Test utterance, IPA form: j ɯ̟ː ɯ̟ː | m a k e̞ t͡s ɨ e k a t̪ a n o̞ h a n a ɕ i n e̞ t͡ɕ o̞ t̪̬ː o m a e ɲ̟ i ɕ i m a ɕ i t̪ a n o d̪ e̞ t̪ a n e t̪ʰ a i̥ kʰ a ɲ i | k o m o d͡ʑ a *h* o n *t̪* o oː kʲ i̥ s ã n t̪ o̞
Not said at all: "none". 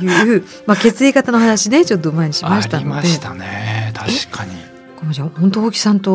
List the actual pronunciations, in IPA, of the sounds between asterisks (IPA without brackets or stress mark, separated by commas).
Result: h, t̪